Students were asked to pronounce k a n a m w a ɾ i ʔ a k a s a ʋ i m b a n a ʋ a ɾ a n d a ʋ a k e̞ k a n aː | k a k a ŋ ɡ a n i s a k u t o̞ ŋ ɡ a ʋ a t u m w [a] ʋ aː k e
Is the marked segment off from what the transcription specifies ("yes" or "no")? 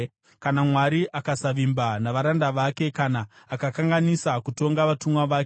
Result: no